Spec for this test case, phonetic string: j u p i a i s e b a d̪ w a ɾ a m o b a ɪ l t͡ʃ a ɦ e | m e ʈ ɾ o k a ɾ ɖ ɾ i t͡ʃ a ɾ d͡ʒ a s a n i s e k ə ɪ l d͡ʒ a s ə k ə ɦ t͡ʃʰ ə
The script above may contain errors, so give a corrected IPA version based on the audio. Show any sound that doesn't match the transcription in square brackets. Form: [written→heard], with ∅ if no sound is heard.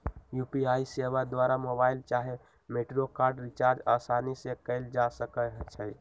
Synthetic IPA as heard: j u p i a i s e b a d̪ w a ɾ a m o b a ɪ l t͡ʃ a ɦ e | m e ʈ ɾ o k a ɾ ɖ ɾ i t͡ʃ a ɾ d͡ʒ a s a n i s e k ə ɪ l d͡ʒ a s ə k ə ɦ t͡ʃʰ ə